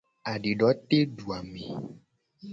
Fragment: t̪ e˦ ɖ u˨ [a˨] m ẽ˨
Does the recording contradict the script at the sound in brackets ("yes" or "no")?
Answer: no